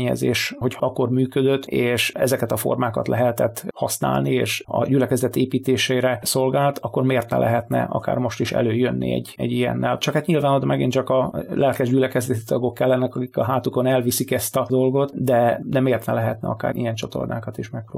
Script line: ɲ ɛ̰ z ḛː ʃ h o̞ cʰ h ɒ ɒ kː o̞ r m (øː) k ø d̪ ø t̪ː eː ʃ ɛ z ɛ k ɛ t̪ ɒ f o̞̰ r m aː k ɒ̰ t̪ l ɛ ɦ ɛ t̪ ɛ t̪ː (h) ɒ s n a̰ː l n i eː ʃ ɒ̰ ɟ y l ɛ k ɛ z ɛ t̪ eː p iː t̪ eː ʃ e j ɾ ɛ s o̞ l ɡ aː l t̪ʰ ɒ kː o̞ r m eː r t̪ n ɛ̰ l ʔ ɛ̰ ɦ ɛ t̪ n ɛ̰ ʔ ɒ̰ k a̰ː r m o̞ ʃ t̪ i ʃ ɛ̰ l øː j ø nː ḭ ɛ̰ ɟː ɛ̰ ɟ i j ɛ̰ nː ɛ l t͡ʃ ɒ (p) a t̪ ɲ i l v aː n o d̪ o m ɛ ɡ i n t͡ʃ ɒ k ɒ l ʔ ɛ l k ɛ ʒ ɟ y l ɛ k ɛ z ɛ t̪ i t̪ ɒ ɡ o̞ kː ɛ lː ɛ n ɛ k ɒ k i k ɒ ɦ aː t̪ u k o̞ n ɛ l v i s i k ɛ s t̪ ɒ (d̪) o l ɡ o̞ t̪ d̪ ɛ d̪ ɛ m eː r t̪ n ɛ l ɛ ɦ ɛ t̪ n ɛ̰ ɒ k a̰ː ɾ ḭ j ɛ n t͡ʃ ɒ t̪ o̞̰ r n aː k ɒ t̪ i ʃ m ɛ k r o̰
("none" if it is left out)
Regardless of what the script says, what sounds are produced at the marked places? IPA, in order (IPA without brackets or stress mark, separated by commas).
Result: yː, h, k, d̪